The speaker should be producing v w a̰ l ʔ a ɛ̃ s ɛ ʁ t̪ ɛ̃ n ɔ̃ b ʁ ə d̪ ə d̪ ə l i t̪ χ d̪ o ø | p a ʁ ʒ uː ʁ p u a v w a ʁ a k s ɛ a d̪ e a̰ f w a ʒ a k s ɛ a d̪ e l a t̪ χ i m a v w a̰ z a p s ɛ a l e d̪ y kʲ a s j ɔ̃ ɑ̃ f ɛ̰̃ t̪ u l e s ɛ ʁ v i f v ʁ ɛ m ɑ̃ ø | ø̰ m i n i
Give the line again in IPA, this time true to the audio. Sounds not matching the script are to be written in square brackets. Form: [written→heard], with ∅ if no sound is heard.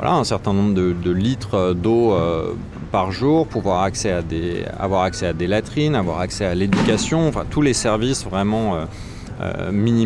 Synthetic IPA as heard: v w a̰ l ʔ a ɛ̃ s ɛ ʁ t̪ ɛ̃ n ɔ̃ b ʁ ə d̪ ə d̪ ə l i t̪ χ d̪ o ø | p a ʁ ʒ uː ʁ p u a v w a ʁ a k s ɛ a d̪ e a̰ [f→v] w a [ʒ→ʁ] a k s ɛ a d̪ e l a t̪ χ i [m→n] a v w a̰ [z→ʁ] a [p→k] s ɛ a l e d̪ y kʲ a s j ɔ̃ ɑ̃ f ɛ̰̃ t̪ u l e s ɛ ʁ v i [f→s] v ʁ ɛ m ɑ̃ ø | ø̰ m i n i